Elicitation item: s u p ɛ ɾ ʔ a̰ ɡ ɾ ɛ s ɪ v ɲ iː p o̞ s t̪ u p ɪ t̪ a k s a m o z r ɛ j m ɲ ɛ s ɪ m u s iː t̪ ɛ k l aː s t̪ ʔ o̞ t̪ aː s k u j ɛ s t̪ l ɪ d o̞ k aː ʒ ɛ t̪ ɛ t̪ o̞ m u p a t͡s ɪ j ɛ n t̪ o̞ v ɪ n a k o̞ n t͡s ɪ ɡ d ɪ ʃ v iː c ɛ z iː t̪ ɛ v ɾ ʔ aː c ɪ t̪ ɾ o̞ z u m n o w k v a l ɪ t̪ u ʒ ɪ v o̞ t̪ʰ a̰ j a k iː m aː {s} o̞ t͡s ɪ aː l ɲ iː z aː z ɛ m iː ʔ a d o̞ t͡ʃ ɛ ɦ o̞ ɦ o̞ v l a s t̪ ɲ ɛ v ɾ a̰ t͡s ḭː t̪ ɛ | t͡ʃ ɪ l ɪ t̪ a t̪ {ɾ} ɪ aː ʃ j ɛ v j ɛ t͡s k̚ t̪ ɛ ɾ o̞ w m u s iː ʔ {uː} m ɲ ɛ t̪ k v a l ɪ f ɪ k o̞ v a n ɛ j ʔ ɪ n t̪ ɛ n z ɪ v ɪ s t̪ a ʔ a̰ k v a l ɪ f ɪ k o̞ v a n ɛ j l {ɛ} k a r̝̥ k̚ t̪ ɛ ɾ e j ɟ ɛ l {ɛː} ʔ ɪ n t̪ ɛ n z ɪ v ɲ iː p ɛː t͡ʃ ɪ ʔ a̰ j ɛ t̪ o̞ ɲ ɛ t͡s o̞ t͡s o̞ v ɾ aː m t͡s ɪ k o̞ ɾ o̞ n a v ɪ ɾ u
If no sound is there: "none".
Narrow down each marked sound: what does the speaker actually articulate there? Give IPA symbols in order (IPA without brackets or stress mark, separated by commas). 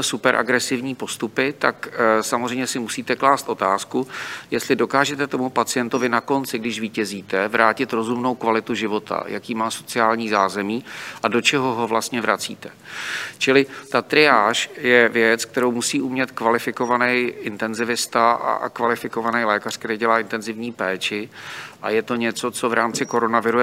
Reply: s, ɾ, u, ɛː, aː